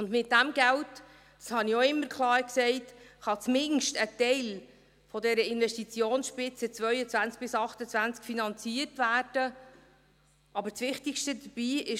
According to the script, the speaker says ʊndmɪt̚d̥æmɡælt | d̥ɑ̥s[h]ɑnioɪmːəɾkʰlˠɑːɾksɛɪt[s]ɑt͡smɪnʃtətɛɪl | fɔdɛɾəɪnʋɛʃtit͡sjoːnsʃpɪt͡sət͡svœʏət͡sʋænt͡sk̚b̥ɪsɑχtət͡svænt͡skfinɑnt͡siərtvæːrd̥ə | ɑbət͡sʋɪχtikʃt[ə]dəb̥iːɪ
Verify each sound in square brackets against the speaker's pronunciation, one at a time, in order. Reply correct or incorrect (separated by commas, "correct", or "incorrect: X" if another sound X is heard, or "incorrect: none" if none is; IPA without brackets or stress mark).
correct, incorrect: χ, correct